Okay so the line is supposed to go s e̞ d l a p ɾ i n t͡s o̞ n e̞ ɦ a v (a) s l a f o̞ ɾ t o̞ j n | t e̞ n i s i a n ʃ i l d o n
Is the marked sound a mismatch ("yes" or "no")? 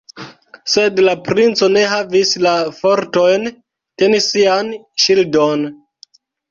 yes